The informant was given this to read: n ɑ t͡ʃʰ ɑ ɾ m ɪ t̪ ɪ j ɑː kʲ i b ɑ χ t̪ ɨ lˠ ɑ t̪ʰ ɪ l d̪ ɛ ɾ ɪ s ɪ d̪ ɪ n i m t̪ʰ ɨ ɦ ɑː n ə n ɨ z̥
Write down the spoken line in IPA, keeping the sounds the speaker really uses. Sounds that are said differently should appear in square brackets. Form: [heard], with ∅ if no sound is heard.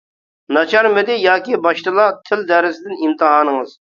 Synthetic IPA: n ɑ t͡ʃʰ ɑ ɾ m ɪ [d̪] ɪ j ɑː kʲ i b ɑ [ʃ] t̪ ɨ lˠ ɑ t̪ʰ ɪ l d̪ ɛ ɾ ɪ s ɪ d̪ ɪ n i m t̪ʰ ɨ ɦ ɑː n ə [ŋ] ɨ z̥

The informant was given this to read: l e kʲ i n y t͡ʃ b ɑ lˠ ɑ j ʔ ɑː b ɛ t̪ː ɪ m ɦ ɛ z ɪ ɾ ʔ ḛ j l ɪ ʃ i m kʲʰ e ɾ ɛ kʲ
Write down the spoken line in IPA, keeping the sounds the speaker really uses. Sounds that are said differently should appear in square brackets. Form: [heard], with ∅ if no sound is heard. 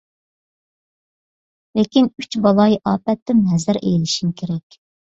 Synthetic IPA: l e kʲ i n y t͡ʃ b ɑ lˠ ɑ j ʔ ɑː [p] ɛ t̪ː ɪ m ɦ ɛ z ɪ ɾ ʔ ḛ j l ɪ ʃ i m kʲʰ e ɾ ɛ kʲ

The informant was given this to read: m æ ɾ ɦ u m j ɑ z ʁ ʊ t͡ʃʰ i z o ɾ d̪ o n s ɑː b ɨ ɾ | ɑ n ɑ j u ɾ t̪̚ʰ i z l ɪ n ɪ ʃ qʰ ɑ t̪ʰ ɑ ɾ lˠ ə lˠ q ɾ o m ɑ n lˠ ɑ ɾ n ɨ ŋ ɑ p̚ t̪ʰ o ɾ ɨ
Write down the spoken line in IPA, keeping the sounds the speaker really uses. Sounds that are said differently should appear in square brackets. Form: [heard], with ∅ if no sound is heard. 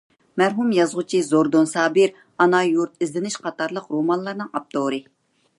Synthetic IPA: m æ ɾ ɦ u m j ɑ z ʁ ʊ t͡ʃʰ i z o ɾ d̪ o n s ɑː b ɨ ɾ | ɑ n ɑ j u ɾ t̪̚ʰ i z l ɪ n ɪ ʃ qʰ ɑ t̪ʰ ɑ ɾ lˠ ə [∅] q ɾ o m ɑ n lˠ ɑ ɾ n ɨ ŋ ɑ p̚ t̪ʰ o ɾ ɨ

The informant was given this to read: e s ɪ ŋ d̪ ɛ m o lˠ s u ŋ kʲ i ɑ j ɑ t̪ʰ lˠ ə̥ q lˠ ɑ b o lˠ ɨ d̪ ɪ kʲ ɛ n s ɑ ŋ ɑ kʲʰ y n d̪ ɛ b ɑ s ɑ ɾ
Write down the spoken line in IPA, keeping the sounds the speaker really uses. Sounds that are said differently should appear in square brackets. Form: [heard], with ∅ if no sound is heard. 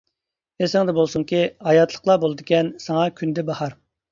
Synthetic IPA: e s ɪ ŋ d̪ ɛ [b] o lˠ s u ŋ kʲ i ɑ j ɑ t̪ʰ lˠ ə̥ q lˠ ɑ b o lˠ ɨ d̪ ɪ kʲ ɛ n s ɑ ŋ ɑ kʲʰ y n d̪ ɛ b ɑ [h] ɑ ɾ

